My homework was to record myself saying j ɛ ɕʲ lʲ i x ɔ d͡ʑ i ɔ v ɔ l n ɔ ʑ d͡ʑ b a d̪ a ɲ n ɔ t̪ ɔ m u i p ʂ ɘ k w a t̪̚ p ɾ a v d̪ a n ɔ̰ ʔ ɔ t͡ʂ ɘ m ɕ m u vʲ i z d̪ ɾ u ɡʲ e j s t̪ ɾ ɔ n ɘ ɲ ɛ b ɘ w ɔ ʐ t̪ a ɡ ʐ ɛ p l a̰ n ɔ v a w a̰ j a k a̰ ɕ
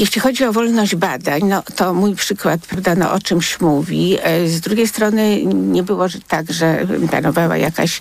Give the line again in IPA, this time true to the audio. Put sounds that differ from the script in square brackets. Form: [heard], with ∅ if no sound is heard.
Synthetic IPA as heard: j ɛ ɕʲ lʲ i x ɔ d͡ʑ i ɔ v ɔ l n ɔ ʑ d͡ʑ b a d̪ a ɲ n ɔ t̪ ɔ m u [j] p ʂ ɘ k w a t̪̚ p ɾ a v d̪ a n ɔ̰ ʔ ɔ t͡ʂ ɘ m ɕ m u vʲ i z d̪ ɾ u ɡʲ e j s t̪ ɾ ɔ n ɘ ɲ ɛ b ɘ w ɔ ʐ t̪ a ɡ ʐ ɛ p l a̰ n ɔ v a w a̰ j a k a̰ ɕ